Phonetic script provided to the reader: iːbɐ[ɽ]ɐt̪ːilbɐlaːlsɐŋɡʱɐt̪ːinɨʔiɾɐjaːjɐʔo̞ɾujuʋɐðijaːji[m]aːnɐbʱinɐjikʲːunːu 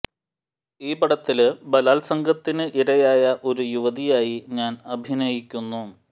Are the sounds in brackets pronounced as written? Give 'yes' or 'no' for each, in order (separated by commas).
yes, no